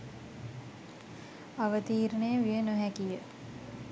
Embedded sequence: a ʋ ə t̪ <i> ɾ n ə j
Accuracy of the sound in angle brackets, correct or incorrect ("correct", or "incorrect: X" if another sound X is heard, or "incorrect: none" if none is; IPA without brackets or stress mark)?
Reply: incorrect: iː